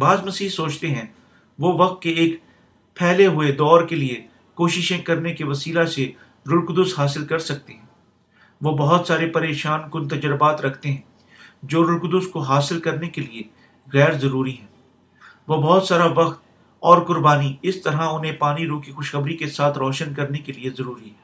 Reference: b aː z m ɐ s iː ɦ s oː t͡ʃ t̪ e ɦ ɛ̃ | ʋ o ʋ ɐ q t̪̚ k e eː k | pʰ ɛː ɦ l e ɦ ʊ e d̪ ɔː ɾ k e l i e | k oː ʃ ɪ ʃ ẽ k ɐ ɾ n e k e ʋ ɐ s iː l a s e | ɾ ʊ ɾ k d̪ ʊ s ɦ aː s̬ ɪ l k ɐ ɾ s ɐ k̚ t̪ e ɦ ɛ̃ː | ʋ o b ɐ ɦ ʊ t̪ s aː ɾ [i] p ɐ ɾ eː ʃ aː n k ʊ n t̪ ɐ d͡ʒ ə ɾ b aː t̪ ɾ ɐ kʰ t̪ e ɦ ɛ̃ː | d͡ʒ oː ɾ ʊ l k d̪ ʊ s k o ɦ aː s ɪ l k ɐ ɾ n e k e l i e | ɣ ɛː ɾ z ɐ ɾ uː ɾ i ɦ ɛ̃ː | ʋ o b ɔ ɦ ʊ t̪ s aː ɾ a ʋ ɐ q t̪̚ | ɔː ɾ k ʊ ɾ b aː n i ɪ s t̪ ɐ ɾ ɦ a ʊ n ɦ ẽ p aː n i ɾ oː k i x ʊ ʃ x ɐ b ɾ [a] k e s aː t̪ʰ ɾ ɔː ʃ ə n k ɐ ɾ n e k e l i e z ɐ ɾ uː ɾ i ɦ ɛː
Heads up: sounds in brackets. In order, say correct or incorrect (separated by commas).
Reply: incorrect, incorrect